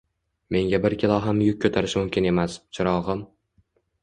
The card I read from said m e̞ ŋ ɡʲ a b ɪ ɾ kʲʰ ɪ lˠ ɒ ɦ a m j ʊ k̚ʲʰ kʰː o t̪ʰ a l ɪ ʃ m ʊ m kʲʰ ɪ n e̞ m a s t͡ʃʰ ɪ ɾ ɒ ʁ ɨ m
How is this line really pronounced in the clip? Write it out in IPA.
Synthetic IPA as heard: m e̞ ŋ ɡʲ a b ɪ ɾ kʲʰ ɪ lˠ ɒ ɦ a m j ʊ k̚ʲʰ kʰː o t̪ʰ a ɾ ɪ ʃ m ʊ m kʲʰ ɪ n e̞ m a s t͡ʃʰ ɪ ɾ ɒ ʁ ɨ m